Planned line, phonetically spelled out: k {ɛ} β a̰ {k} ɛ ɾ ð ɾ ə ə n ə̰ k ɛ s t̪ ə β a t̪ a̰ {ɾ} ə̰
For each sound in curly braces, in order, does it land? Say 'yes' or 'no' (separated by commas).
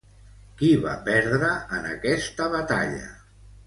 no, no, no